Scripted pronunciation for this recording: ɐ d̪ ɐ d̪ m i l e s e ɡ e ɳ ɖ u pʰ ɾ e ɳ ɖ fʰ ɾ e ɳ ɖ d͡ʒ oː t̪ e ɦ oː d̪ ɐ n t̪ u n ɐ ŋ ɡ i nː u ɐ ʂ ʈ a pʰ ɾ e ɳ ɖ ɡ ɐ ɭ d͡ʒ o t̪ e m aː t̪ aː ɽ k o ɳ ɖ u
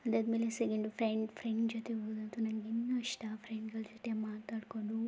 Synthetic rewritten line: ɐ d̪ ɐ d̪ m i l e s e ɡ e ɳ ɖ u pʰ ɾ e ɳ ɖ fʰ ɾ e ɳ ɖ d͡ʒ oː t̪ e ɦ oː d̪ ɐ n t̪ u n ɐ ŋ ɡ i nː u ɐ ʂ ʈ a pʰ ɾ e ɳ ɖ ɡ ɐ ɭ d͡ʒ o t̪ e m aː t̪ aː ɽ k o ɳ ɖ u